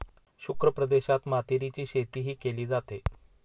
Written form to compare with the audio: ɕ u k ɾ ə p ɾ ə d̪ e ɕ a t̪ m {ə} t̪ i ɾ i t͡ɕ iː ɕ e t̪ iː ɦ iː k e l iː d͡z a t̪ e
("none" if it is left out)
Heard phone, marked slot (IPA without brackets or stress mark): a